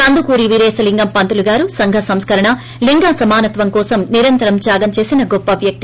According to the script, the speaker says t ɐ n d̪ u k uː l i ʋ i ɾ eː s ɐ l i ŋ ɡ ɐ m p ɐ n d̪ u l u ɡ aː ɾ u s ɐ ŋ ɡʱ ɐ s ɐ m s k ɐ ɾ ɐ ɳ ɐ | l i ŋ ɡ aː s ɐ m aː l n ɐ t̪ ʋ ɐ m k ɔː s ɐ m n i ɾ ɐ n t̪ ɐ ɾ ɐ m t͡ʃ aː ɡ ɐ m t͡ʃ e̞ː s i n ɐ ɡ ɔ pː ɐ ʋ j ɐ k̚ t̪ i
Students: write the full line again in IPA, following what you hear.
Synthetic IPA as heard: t ɐ n d̪ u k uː ɾ i ʋ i ɾ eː s ɐ l i ŋ ɡ ɐ m p ɐ n t̪ u l u ɡ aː ɾ u s ɐ ŋ ɡʱ ɐ s ɐ m s k ɐ ɾ ɐ ɳ ɐ | l i ŋ ɡ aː s ɐ m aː n ɐ t̪ ʋ ɐ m k ɔː s ɐ m n i ɾ ɐ n t̪ ɐ ɾ ɐ m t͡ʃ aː ɡ ɐ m t͡ʃ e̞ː s i n ɐ ɡ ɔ pː ɐ ʋ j ɐ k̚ t̪ i